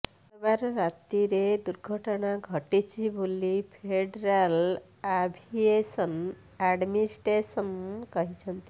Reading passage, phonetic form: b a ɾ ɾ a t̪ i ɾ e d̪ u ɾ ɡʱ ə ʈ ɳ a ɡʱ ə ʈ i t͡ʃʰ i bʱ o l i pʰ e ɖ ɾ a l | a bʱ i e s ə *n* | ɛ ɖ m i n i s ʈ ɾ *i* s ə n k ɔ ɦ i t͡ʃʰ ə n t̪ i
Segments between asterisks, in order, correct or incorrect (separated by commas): correct, incorrect